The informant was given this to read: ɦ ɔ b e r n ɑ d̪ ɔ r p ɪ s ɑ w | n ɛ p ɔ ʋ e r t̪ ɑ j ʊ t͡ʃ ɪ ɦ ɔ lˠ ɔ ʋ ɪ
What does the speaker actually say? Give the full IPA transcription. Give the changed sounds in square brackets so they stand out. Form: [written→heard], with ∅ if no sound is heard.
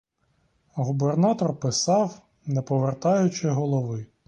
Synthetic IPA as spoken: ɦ [ɔ→u] b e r n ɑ [d̪→t̪] ɔ r p ɪ s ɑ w | n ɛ p ɔ ʋ e r t̪ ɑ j ʊ t͡ʃ ɪ ɦ ɔ lˠ ɔ ʋ ɪ